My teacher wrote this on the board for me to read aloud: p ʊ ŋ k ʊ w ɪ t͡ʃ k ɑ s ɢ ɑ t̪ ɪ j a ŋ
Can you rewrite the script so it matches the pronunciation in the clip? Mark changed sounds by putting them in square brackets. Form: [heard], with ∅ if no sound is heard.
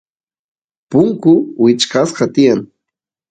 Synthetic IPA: p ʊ ŋ k ʊ w ɪ t͡ʃ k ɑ s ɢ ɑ t̪ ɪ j a ŋ